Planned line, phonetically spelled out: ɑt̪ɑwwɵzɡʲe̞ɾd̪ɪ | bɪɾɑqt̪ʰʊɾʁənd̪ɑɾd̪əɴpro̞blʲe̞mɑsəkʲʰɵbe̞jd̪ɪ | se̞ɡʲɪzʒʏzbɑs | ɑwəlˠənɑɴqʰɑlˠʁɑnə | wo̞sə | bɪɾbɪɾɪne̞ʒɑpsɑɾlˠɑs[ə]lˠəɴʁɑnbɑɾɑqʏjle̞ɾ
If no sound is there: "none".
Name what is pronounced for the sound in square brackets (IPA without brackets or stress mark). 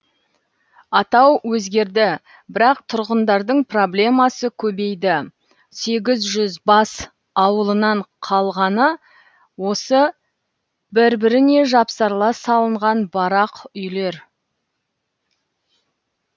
ɑ